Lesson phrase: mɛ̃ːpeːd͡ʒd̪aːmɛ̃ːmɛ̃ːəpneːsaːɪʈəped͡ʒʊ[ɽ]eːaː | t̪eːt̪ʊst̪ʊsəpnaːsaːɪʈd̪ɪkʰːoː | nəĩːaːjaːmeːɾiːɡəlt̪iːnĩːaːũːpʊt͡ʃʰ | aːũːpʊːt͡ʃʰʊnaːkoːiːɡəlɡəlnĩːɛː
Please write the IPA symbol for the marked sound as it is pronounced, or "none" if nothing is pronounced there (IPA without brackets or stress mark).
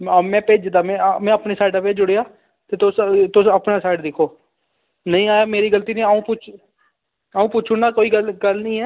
ɽ